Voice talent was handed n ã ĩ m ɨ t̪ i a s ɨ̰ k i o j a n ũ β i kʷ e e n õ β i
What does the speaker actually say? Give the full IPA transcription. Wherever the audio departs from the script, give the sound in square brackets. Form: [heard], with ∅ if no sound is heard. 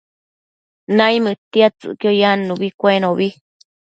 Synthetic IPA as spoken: n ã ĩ m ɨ t̪ i a [t͡s] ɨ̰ k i o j a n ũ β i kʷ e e n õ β i